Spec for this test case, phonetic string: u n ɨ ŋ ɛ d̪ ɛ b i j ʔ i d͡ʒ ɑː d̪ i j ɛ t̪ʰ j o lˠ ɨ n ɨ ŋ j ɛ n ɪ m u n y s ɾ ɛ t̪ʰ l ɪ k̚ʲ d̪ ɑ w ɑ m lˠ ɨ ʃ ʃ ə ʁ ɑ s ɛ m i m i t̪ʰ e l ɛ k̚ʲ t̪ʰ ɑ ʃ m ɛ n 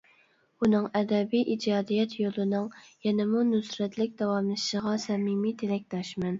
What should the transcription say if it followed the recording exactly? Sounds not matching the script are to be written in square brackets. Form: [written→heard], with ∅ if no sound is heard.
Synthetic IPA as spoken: u n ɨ ŋ ɛ d̪ ɛ b i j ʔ i d͡ʒ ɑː d̪ i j ɛ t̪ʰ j o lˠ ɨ n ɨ ŋ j ɛ n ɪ m u n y s ɾ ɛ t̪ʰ l ɪ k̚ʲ d̪ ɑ w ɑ m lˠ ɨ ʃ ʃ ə ʁ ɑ s ɛ m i m i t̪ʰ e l ɛ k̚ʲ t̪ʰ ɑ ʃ m ɛ n